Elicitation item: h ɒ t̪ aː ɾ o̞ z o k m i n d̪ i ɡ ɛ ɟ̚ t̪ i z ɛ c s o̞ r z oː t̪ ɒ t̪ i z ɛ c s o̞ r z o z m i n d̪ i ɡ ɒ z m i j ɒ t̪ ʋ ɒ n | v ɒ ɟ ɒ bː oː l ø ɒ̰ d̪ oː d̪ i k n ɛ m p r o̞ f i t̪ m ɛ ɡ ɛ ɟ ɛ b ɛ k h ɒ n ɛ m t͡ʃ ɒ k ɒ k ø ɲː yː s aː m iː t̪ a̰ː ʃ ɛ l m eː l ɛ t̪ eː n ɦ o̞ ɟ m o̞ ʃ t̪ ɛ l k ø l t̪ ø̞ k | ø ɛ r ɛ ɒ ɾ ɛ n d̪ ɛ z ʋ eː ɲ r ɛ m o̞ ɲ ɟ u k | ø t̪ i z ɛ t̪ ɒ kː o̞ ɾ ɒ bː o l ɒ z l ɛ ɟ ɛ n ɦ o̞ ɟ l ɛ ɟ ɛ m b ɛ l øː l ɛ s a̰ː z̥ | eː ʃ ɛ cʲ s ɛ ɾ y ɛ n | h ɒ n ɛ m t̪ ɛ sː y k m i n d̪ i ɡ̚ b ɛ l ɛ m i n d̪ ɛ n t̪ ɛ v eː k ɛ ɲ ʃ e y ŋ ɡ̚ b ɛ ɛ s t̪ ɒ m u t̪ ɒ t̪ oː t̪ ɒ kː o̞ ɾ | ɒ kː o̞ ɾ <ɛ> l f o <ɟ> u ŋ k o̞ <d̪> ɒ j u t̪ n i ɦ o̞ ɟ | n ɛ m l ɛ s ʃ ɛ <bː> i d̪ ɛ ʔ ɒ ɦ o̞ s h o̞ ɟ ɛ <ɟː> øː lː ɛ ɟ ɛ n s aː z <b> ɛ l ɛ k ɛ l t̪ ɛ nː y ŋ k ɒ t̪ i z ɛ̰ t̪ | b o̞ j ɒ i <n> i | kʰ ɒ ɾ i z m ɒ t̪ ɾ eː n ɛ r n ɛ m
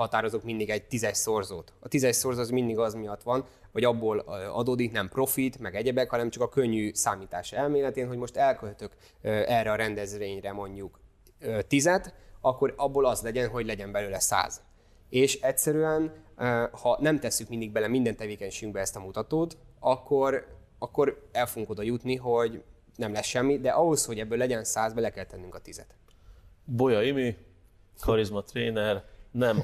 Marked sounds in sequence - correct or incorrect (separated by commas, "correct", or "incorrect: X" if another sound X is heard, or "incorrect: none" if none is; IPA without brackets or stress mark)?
correct, incorrect: ɡ, correct, incorrect: mː, incorrect: bː, correct, incorrect: m